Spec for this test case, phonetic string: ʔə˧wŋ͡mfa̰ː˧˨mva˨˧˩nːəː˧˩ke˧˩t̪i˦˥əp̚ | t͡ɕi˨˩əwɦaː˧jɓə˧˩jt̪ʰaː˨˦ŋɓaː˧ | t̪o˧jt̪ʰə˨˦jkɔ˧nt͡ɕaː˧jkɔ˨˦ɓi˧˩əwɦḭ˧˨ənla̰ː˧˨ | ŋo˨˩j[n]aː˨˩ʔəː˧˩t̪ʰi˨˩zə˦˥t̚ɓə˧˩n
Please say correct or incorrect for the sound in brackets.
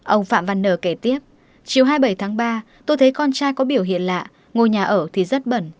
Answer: incorrect